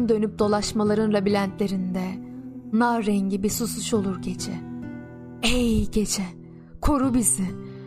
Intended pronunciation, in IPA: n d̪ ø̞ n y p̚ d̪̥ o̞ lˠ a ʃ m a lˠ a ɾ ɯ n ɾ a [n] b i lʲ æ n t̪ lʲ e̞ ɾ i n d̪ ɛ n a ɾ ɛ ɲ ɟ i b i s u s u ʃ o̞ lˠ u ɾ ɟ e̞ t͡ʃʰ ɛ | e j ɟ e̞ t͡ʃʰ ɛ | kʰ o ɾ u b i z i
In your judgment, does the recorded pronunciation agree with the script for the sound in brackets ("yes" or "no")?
no